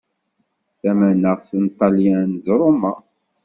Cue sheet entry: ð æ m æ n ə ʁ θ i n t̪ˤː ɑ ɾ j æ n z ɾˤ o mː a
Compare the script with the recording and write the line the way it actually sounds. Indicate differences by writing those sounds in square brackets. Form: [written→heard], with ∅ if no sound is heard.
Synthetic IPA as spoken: [ð→θ] æ m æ n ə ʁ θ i n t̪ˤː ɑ [ɾ→l] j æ n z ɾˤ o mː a